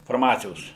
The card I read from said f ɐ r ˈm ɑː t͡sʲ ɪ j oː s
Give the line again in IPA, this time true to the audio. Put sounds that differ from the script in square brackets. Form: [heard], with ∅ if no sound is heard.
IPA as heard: f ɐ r ˈm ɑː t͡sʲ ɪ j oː s